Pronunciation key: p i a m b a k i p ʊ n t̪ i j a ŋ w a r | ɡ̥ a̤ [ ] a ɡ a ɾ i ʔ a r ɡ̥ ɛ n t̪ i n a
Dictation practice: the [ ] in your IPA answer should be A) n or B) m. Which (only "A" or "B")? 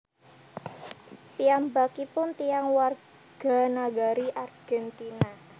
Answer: A